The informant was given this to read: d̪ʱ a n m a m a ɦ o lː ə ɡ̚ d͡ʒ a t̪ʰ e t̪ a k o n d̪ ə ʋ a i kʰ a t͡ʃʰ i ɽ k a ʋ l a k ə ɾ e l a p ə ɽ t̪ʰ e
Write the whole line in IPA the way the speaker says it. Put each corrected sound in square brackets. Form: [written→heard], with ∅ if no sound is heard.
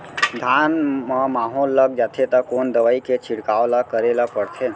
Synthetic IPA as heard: d̪ʱ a n m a m a ɦ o lː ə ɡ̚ d͡ʒ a t̪ʰ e t̪ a k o n d̪ ə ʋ a i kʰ [a→e] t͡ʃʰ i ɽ k a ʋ l a k ə ɾ e l a p ə ɽ t̪ʰ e